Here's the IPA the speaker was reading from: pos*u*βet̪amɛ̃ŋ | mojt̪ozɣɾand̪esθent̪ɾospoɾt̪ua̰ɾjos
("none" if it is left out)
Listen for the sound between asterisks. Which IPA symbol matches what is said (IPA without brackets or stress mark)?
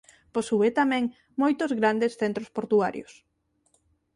u